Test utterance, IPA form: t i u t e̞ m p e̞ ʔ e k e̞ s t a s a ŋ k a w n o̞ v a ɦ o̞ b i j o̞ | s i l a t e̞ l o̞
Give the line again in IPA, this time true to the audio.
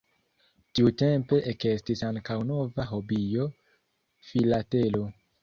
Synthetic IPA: t i u t e̞ m p e̞ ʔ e k e̞ s t i s a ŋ k a w n o̞ v a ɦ o̞ b i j o̞ | f i l a t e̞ l o̞